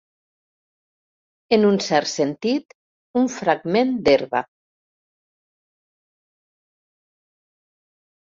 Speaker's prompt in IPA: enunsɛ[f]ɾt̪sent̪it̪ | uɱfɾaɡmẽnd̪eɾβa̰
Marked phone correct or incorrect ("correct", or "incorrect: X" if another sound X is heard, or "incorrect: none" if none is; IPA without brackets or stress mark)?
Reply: incorrect: none